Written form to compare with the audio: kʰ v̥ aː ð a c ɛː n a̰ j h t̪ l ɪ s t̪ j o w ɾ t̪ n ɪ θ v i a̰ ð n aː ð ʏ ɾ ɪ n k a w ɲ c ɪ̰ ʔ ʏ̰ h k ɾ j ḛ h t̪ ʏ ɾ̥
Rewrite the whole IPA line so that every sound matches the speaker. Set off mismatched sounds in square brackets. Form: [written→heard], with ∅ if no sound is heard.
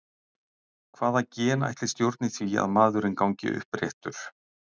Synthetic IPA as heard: kʰ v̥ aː ð a c ɛː n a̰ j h t̪ l ɪ s t̪ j o w ɾ t̪ n ɪ θ v i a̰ ð [n→m] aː ð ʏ ɾ ɪ n k a w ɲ c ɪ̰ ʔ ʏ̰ h [k→p] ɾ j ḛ h t̪ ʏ ɾ̥